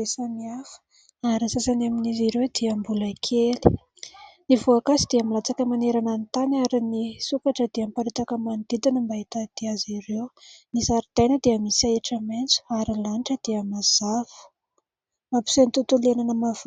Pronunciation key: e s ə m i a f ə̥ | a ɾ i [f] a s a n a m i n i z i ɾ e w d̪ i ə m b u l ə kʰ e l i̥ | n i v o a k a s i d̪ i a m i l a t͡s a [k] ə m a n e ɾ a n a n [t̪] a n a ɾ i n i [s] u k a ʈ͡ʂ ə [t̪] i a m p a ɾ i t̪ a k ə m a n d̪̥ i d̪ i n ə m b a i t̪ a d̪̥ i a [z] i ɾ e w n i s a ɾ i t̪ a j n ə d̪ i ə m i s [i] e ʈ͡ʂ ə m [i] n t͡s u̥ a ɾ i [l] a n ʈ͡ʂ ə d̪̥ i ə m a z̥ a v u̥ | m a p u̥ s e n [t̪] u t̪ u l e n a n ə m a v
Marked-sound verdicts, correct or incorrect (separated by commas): incorrect, correct, correct, correct, incorrect, correct, incorrect, incorrect, correct, correct